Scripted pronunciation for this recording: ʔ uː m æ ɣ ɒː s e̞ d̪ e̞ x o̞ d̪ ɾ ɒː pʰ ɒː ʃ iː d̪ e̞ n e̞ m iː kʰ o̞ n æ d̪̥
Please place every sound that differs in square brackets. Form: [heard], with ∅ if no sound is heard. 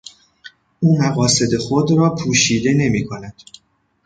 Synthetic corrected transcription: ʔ uː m æ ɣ ɒː s e̞ d̪ e̞ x o̞ d̪ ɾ ɒː pʰ [uː] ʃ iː d̪ e̞ n e̞ m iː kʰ o̞ n æ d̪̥

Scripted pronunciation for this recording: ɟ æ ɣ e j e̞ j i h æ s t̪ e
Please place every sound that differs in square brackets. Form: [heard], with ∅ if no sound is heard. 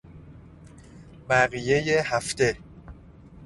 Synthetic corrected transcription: [b] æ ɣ [i] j e̞ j [e] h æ [f] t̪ e

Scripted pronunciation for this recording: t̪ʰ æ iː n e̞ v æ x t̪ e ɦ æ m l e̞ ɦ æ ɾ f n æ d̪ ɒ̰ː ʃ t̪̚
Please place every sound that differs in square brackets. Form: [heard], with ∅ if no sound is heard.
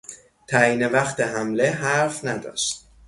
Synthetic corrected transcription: t̪ʰ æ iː n e̞ v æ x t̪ e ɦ æ m l e̞ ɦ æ ɾ f n æ d̪ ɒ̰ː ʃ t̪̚

